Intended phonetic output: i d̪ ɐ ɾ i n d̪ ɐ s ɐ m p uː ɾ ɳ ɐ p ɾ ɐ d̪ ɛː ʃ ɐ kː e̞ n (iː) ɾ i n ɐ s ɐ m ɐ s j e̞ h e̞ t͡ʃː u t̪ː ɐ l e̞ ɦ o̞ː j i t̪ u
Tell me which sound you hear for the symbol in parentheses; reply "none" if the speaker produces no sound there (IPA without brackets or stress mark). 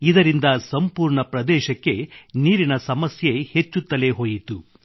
iː